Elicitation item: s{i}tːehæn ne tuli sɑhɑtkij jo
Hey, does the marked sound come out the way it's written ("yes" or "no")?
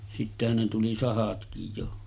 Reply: yes